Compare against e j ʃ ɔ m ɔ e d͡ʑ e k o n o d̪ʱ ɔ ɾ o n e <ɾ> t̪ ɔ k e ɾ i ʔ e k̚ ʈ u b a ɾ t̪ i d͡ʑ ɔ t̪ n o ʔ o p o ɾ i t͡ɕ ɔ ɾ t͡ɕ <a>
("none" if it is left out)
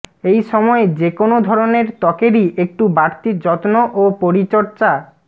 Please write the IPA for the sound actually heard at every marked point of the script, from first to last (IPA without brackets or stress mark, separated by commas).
ɾ, a